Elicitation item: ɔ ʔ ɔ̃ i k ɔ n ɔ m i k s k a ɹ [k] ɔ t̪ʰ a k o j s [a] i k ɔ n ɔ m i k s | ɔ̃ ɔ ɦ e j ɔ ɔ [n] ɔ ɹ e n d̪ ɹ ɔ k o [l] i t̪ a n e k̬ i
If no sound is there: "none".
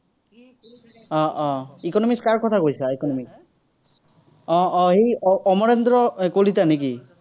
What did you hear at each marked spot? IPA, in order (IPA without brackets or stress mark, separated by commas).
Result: k, a, m, l